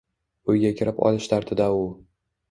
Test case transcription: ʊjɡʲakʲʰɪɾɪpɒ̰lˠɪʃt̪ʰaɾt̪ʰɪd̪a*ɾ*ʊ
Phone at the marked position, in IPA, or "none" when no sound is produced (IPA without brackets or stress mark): none